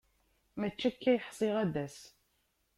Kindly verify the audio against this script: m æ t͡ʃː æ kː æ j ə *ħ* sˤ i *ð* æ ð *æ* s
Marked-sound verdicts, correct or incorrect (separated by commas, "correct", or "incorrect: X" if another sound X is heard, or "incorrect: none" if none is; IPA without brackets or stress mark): correct, incorrect: ʁ, correct